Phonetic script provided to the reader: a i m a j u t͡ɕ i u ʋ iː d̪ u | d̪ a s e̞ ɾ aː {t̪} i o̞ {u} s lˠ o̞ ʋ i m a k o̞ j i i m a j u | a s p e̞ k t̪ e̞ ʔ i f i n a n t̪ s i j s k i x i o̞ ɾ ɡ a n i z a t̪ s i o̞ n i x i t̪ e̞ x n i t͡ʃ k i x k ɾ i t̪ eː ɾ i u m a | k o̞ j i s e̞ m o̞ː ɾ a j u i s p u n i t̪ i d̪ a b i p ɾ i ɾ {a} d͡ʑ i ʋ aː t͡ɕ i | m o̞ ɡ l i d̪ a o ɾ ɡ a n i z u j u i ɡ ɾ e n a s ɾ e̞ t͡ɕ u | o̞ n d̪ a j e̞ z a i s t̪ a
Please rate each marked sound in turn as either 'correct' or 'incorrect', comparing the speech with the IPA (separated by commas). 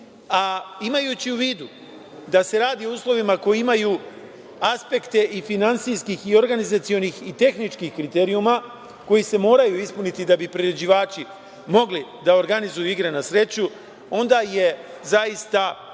incorrect, incorrect, incorrect